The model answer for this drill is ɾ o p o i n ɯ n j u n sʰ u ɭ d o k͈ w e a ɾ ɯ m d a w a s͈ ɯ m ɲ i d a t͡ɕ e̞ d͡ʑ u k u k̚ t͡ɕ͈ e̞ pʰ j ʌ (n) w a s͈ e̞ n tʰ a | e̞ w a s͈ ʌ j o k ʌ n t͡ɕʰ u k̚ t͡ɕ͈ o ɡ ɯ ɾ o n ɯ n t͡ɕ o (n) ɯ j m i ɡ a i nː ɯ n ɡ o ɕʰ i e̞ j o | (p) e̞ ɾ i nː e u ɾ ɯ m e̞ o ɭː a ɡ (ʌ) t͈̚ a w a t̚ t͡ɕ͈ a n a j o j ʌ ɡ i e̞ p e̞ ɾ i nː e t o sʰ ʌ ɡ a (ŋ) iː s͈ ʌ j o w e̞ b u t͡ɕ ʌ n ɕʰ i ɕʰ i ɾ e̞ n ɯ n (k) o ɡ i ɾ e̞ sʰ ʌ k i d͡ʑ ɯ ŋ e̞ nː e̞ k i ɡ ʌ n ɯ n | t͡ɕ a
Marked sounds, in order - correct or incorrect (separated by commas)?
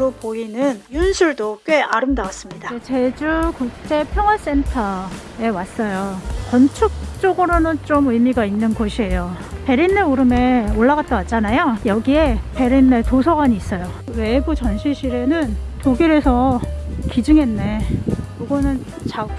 incorrect, incorrect, correct, incorrect, incorrect, incorrect